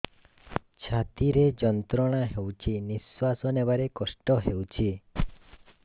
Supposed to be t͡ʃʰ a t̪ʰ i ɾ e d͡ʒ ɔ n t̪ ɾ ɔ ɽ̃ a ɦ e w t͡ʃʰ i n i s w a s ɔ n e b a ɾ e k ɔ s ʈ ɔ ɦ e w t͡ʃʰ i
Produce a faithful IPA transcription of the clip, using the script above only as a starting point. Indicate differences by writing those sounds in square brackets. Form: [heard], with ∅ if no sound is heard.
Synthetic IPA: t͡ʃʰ a [t̪] i ɾ e d͡ʒ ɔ n t̪ ɾ ɔ ɽ̃ a ɦ e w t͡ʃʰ i n i s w a s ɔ n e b a ɾ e k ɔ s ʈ ɔ ɦ e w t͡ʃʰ i